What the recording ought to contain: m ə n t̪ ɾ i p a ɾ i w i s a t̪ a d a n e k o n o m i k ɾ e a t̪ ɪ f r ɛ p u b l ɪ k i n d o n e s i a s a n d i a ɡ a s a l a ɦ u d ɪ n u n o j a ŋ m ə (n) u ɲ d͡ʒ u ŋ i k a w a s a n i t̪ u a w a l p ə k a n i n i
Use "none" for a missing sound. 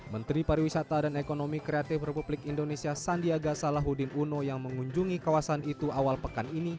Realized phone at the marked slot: ŋ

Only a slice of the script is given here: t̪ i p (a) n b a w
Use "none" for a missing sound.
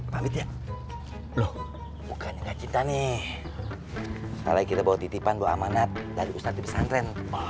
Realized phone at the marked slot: a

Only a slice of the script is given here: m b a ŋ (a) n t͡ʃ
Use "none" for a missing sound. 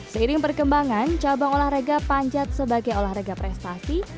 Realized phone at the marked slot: a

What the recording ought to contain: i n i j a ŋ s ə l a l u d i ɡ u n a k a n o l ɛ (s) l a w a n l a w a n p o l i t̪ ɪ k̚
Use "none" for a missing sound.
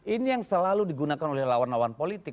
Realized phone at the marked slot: h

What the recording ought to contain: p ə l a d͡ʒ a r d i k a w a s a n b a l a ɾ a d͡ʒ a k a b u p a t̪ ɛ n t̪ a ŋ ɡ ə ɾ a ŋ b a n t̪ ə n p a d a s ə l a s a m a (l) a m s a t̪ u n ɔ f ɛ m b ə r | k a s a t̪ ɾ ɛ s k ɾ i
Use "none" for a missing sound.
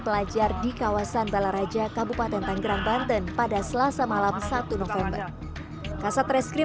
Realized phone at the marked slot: l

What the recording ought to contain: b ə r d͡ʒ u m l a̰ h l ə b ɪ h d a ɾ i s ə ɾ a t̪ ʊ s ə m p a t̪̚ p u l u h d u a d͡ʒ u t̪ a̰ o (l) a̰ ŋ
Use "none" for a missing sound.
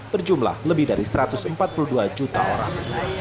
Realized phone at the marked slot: ɾ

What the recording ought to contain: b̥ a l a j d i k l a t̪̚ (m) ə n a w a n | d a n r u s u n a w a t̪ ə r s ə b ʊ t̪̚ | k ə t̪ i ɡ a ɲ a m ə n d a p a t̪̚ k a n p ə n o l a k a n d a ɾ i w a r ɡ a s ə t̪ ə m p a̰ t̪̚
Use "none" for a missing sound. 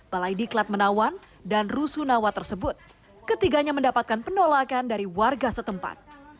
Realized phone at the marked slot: m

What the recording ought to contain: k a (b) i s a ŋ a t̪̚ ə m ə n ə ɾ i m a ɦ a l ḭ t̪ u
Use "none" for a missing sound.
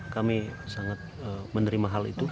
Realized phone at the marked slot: m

